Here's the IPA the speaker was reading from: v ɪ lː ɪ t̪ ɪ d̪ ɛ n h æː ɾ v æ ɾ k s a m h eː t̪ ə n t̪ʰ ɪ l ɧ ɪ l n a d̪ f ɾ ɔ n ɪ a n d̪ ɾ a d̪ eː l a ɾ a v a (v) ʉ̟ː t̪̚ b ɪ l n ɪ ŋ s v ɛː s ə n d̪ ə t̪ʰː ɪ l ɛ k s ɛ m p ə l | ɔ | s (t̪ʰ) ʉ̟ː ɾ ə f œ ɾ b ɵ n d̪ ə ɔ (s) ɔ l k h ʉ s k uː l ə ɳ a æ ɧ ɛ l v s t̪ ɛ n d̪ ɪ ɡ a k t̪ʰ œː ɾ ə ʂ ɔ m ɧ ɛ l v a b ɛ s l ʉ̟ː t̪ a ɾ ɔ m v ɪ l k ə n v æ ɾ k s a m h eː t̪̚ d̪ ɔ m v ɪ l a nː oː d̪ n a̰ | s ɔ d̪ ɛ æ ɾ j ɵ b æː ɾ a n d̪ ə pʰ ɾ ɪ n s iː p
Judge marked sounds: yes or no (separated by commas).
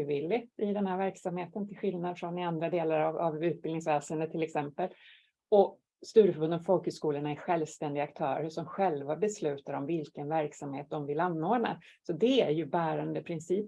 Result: yes, no, no